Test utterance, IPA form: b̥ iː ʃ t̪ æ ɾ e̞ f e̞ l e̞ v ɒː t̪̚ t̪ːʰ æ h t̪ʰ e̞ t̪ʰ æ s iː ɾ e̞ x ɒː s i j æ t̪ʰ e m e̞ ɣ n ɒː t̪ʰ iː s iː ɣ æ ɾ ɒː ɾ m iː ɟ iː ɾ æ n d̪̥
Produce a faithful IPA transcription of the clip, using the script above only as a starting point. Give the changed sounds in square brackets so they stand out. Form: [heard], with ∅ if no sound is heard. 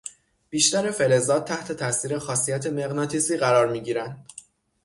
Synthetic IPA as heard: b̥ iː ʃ t̪ æ ɾ e̞ f e̞ l e̞ [z] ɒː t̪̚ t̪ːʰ æ h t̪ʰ e̞ t̪ʰ æ s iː ɾ e̞ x ɒː s i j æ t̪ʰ e m e̞ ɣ n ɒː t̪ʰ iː s iː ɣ æ ɾ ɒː ɾ m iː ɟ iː ɾ æ n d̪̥